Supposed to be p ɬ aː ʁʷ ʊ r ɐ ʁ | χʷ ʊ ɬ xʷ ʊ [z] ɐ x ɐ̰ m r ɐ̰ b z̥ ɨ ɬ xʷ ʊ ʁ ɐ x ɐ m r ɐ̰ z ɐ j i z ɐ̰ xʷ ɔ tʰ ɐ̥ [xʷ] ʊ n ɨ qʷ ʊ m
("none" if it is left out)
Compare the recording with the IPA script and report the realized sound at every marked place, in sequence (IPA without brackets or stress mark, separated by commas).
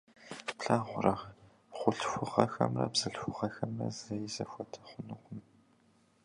ʁ, χʷ